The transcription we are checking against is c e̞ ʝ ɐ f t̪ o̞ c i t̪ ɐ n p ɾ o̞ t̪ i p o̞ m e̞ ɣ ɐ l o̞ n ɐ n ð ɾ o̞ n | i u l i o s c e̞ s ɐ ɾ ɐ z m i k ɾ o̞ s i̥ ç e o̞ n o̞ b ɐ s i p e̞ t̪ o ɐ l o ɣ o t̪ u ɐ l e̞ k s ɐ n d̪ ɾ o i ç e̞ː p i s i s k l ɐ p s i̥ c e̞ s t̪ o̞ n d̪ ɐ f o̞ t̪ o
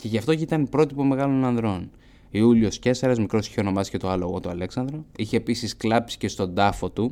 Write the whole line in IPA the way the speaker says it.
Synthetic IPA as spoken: c e̞ ʝ ɐ f t̪ o̞ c i t̪ ɐ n p ɾ o̞ t̪ i p o̞ m e̞ ɣ ɐ l o̞ n ɐ n ð ɾ o̞ n | i u l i o s c e̞ s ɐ ɾ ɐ z m i k ɾ o̞ s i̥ ç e o̞ n o̞ m ɐ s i c e̞ t̪ o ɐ l o ɣ o t̪ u ɐ l e̞ k s ɐ n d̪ ɾ o i ç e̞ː p i s i s k l ɐ p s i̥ c e̞ s t̪ o̞ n d̪ ɐ f o̞ t̪ u